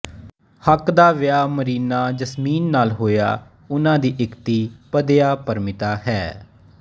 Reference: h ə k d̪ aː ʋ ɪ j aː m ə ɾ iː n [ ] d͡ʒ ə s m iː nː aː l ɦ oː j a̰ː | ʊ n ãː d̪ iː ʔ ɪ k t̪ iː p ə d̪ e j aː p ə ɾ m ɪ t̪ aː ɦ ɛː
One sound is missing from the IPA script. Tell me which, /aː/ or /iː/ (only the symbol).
aː